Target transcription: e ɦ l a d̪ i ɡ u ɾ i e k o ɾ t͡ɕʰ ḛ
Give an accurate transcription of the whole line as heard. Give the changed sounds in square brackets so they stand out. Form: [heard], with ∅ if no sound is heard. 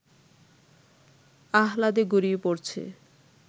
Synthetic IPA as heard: [a] ɦ l a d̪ [e] ɡ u ɾ i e [p] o ɾ t͡ɕʰ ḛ